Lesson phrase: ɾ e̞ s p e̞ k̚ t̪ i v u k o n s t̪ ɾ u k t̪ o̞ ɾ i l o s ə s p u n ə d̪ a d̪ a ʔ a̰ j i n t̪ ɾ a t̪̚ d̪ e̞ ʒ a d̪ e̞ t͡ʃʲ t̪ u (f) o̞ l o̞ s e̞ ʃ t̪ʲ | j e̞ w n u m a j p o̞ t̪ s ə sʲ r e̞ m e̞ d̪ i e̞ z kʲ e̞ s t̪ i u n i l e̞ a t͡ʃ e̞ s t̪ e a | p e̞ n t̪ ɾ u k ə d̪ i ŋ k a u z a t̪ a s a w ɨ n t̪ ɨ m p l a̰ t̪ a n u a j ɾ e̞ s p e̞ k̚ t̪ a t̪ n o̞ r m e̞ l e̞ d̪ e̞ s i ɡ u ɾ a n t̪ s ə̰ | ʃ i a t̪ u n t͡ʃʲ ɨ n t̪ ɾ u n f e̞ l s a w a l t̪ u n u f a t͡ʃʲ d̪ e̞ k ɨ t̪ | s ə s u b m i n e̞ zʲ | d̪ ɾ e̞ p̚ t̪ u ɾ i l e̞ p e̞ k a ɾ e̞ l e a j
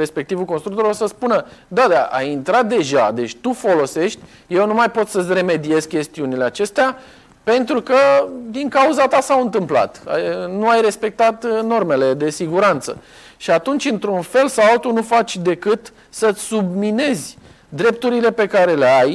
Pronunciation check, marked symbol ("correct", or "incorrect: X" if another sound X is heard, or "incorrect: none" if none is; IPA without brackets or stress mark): correct